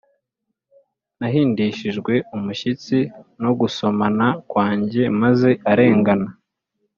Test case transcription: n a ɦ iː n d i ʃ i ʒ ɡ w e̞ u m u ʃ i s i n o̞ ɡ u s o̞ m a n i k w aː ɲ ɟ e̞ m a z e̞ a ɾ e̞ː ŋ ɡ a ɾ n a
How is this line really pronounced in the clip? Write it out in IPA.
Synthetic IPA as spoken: n a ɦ iː n d i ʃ i ʒ ɡ w e̞ u m u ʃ i t͡s i n o̞ ɡ u s o̞ m a n a k w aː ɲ ɟ e̞ m a z e̞ a ɾ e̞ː ŋ ɡ a n a

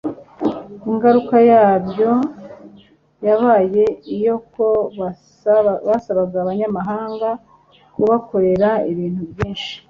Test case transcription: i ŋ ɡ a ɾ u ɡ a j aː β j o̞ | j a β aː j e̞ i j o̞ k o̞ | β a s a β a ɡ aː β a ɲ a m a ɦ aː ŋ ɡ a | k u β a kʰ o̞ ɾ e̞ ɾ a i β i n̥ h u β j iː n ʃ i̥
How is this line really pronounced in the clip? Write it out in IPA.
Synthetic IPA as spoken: i ŋ ɡ a ɾ u k a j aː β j o̞ | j a β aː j e̞ i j o̞ k o̞ | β a s a β a ɡ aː β a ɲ a m a ɦ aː ŋ ɡ a | k u β a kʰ o̞ ɾ e̞ ɾ a i β iː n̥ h u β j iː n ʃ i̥

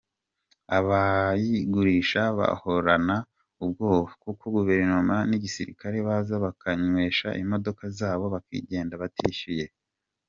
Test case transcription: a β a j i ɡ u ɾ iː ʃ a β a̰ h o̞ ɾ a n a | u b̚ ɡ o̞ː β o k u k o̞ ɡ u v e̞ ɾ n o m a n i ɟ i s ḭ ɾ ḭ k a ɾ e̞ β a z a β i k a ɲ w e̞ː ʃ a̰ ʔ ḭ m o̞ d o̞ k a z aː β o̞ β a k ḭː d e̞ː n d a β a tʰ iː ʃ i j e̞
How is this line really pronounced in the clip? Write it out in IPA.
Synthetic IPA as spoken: a β a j i ɡ u ɾ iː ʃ a β a̰ h o̞ ɾ a n a | u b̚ ɡ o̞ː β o k u k o̞ ɡ u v e̞ ɾ n o m a n i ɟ i s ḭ ɾ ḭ k a ɾ e̞ β a z a β a k a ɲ w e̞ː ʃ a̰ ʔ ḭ m o̞ d o̞ k a z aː β o̞ β a k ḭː ɟ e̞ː n d a β a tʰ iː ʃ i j e̞

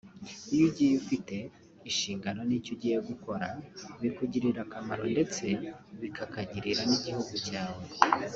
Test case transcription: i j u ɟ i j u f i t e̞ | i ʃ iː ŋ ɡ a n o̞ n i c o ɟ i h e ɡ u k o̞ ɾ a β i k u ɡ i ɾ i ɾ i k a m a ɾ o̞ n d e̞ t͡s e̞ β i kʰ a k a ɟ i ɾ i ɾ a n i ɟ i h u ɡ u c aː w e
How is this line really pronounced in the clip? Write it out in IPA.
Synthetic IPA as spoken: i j u ɟ i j u f i t e̞ | i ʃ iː ŋ ɡ a n o̞ n i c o ɟ i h e ɡ u k o̞ ɾ a β i k u ɟ i ɾ i ɾ a k a m a ɾ o̞ n d e̞ t͡s e̞ β i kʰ a k a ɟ i ɾ i ɾ a n i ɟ i h u ɡ u c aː w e

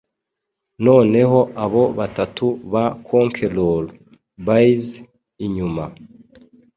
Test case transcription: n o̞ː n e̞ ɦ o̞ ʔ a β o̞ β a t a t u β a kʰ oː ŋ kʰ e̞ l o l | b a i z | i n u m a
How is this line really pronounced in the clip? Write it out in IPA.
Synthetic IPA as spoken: n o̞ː n e̞ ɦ o̞ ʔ a β o̞ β a t a t u β a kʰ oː ŋ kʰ e̞ l o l | b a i z | i ɲ u m a

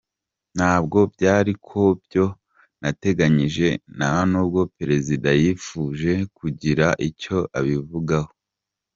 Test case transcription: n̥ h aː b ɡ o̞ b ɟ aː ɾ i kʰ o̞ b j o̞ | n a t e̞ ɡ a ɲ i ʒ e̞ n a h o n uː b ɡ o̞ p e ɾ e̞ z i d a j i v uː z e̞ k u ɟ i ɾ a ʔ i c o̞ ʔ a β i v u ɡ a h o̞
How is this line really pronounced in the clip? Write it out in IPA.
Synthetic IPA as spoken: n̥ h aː b ɡ o̞ b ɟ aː ɾ i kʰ o̞ b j o̞ | n a t e̞ ɡ a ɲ i ʒ e̞ n a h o n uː b ɡ o̞ p e ɾ e̞ z i d a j i f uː ʒ e̞ k u ɟ i ɾ a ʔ i c o̞ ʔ a β i v u ɡ a h o̞

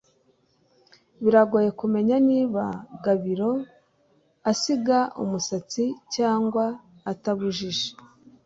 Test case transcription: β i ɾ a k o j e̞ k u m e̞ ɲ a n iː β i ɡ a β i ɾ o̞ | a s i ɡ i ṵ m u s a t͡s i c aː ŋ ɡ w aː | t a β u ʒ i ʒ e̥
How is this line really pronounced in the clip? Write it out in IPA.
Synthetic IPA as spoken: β i ɾ a ɡ o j e̞ k u m e̞ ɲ a n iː β a ɡ a β i ɾ o̞ | a s i ɡ a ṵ m u s a t͡s i c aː ŋ ɡ w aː | t a β u ʒ i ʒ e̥

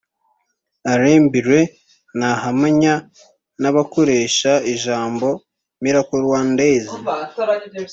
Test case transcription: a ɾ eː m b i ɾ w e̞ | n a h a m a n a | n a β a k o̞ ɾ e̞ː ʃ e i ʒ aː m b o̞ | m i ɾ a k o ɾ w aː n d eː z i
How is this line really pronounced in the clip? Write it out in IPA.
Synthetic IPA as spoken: a ɾ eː m b i ɾ w e̞ | n a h a m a ɲ a | n a β a k o̞ ɾ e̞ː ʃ a i ʒ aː m b o̞ | m i ɾ a k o ɾ w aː n d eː z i

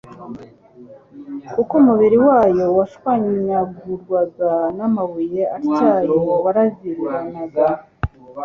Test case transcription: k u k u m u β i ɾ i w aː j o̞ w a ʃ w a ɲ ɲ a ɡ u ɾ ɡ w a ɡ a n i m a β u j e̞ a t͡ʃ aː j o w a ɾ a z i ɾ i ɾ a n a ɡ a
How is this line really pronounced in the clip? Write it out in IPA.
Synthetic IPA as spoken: k u k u m u β i ɾ i w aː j o̞ w a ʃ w a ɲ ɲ a ɡ u ɾ ɡ w a ɡ a n a m a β u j e̞ a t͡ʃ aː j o w a ɾ a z i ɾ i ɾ a n a ɡ a

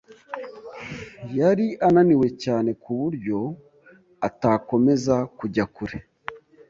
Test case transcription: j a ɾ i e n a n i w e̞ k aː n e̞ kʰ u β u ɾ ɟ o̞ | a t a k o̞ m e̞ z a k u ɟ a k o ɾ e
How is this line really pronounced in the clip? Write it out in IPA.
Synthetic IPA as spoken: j a ɾ i a n a n i w e̞ c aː n e̞ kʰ u β u ɾ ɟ o̞ | a t a k o̞ m e̞ z a k u ɟ a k u ɾ e

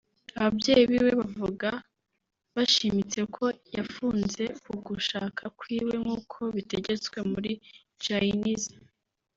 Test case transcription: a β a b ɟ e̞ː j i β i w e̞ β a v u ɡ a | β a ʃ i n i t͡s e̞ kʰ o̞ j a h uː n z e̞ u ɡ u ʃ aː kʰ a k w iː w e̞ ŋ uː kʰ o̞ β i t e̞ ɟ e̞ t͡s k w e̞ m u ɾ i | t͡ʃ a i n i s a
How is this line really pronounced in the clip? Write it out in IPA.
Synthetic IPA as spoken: a β a b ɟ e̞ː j i β i w e̞ β a v u ɡ a | β a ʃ i m i t͡s e̞ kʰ o̞ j a f uː n z e̞ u ɡ u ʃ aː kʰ a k w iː w e̞ ŋ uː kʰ o̞ β i t e̞ ɟ e̞ t͡s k w e̞ m u ɾ i | t͡ʃ a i n i z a

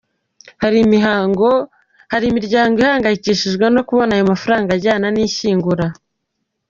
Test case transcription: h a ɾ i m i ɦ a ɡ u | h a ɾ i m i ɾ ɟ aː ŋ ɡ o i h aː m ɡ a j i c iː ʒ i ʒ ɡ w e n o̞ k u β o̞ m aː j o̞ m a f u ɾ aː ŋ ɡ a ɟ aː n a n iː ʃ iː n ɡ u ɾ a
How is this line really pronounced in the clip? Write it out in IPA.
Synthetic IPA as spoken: h a ɾ i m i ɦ a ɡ o | h a ɾ i m i ɾ ɟ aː ŋ ɡ o i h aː ŋ ɡ a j i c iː ʃ i ʒ ɡ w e n o̞ k u β o̞ n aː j o̞ m a f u ɾ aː ŋ ɡ a ɟ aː n a n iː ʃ iː ŋ ɡ u ɾ a

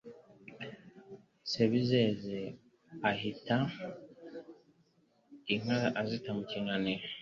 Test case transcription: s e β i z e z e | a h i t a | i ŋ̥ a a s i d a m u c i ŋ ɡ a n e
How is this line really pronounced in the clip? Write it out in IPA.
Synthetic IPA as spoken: s e β i z e z e | a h i t a | i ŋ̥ a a z i t a m u c i ŋ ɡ a n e

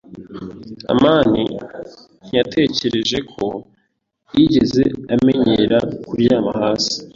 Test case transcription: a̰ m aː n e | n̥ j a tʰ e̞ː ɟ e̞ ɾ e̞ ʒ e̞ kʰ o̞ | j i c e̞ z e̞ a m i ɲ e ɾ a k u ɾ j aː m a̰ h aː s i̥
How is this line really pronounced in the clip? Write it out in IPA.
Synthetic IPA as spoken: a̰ m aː n i | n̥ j a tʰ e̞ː c e̞ ɾ e̞ ʒ e̞ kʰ o̞ | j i ɟ e̞ z e̞ a m e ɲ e ɾ a k u ɾ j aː m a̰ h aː s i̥

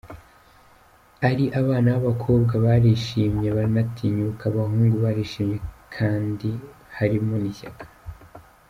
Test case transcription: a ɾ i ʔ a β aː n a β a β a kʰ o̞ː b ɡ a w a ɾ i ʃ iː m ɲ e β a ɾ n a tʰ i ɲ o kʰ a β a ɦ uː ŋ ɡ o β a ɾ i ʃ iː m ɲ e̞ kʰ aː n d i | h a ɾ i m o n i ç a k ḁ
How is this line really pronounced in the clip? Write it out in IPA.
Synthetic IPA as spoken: a ɾ i ʔ a β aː n a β a β a kʰ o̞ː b ɡ a β a ɾ i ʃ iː m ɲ e β a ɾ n a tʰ i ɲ u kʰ a β a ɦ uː ŋ ɡ u β a ɾ i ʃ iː m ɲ e̞ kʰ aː n d i | h a ɾ i m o n i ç a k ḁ

